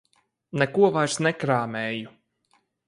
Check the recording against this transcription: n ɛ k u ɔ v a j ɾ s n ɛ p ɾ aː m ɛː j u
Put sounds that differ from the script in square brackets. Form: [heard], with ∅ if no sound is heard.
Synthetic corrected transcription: n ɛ k u ɔ v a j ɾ s n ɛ [k] ɾ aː m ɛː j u